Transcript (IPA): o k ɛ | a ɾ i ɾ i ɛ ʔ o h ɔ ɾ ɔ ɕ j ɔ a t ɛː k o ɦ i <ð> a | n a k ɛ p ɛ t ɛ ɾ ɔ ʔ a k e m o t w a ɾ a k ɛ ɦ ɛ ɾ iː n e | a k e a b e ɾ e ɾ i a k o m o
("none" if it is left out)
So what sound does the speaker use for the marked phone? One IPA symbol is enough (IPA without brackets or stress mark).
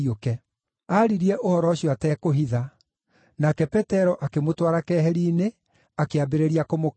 ð